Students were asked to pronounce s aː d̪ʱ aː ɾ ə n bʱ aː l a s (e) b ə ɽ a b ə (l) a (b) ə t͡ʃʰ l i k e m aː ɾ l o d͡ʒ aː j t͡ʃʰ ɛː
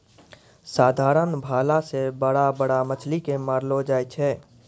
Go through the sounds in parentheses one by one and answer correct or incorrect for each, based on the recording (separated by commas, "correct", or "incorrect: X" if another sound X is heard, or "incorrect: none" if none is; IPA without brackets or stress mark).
correct, incorrect: ɽ, incorrect: m